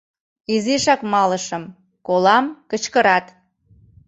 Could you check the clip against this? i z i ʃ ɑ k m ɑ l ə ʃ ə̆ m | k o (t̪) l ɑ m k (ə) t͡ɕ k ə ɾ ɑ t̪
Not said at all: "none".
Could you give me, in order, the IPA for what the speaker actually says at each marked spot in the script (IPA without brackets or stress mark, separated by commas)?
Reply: none, ə